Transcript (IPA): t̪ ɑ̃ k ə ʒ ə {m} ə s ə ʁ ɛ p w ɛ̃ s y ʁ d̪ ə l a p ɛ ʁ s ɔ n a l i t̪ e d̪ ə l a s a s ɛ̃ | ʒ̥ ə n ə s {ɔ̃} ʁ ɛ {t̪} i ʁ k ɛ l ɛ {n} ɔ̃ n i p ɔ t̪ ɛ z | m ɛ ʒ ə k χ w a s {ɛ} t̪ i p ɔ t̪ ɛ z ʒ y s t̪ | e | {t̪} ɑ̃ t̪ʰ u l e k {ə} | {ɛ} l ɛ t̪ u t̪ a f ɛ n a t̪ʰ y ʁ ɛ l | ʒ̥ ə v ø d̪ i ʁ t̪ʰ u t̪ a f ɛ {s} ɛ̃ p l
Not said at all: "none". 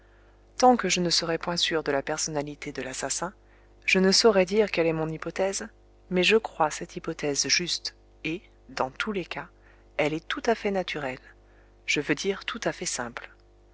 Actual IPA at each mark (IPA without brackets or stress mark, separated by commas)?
n, ɔ, d̪, m, ɛ, d̪, a, ɛ, s